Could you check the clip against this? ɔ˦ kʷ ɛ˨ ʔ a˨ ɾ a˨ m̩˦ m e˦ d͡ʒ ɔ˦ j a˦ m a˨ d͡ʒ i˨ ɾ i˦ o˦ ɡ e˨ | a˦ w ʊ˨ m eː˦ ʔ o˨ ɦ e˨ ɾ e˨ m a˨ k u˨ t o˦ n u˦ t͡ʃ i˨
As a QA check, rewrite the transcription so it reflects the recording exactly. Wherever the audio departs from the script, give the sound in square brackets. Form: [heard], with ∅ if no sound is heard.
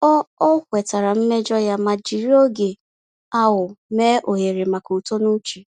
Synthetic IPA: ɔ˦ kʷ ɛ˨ [t] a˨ ɾ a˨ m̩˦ m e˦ d͡ʒ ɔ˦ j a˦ m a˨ d͡ʒ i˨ ɾ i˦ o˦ ɡ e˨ | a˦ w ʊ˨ m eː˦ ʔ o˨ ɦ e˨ ɾ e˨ m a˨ k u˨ t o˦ n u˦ t͡ʃ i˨